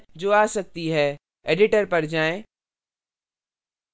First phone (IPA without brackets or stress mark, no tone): d͡ʑ